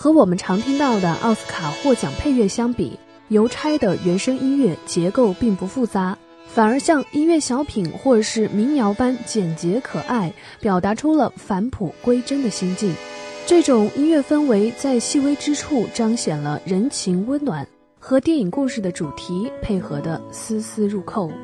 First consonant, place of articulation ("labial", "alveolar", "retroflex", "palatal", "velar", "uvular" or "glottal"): velar